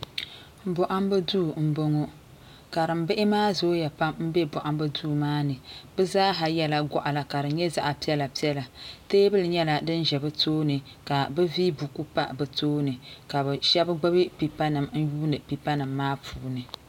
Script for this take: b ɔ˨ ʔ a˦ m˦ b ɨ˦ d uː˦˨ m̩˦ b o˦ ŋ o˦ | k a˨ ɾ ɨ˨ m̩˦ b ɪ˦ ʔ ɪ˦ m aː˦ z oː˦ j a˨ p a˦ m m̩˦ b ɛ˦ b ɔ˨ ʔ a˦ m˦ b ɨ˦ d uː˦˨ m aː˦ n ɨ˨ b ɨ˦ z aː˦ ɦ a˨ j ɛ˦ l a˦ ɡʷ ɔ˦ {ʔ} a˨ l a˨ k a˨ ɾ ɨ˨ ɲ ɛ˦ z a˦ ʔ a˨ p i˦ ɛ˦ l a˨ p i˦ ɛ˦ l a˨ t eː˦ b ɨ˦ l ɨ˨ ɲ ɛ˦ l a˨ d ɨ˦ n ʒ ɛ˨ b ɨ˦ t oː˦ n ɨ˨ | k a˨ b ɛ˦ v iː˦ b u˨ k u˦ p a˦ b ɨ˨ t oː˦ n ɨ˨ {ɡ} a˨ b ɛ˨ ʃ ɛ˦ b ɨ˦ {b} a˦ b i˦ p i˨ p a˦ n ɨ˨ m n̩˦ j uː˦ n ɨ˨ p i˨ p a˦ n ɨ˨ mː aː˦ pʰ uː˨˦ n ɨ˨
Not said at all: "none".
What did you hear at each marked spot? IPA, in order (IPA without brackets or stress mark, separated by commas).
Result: ʔ, k, ɡ͡b